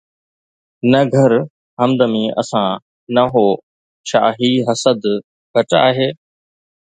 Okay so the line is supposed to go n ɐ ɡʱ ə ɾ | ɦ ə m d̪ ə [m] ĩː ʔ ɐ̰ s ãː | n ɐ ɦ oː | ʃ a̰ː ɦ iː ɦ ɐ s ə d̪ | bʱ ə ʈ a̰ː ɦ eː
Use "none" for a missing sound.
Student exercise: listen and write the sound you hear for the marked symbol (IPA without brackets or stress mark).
m